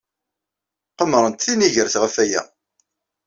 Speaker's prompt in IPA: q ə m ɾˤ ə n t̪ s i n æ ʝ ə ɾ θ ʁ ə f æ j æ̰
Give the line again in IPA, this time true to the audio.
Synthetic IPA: q ə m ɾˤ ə n t̪ θ i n i ʝ ə ɾ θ ʁ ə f æ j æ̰